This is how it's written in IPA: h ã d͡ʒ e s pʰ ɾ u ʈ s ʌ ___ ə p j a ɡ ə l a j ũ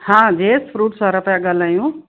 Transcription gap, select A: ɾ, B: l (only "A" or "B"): A